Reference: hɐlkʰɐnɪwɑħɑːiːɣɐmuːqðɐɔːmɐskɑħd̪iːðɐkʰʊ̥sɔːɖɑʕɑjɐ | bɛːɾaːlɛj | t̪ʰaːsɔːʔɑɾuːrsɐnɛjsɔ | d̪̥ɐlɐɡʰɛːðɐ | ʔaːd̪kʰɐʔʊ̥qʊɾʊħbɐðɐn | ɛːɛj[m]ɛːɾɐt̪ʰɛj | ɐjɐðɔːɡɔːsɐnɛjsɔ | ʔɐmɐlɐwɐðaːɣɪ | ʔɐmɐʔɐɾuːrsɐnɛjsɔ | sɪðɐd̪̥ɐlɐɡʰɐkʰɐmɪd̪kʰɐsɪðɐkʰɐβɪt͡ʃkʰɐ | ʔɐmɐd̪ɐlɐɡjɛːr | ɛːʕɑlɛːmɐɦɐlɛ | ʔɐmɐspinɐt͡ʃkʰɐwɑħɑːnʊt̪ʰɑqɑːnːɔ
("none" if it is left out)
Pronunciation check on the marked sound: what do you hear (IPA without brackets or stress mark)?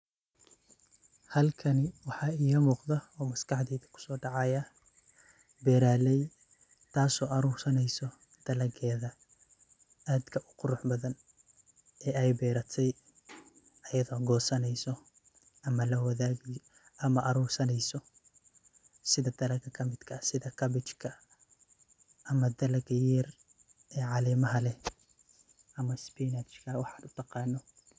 b